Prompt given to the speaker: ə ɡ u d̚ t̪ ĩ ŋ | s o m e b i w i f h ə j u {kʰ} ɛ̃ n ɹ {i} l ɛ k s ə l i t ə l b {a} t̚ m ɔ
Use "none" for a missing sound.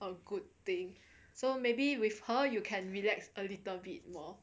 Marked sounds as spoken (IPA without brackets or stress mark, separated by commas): kʰ, i, i